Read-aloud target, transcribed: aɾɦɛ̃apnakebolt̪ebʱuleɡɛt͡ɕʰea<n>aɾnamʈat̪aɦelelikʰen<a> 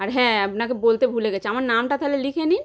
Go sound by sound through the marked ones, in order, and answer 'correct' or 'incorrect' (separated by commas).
incorrect, incorrect